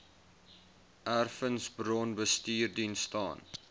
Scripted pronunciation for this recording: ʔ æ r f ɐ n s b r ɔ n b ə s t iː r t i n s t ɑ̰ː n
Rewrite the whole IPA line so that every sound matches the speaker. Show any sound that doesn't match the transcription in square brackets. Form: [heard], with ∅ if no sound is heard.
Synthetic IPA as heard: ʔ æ r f [ə] n s b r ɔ n b ə s t iː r [d] i n s t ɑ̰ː n